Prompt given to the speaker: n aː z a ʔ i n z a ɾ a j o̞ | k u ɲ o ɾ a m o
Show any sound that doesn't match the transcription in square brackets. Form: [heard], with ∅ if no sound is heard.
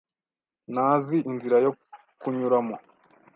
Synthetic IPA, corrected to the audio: n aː z [i] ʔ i n z [i] ɾ a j o̞ | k u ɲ [u] ɾ a m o